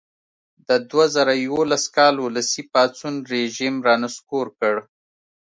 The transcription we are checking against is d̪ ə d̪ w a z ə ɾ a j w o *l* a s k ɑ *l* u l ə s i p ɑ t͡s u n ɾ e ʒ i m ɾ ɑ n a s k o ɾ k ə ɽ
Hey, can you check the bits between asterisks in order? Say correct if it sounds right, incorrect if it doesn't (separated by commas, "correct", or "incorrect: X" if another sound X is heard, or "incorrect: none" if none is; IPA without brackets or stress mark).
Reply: correct, correct